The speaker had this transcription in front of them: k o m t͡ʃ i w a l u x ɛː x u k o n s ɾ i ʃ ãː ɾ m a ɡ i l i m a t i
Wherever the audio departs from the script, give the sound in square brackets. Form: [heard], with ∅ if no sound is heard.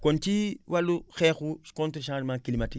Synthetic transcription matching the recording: k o [n] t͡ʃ i w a l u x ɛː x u k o n [t] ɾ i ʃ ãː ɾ m a [k] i l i m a t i